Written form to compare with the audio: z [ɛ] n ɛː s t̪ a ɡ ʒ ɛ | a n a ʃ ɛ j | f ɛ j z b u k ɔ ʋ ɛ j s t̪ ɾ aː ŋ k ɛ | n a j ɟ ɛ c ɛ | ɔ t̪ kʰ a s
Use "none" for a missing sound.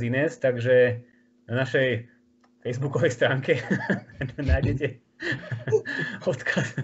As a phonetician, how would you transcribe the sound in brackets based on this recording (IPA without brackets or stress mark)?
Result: i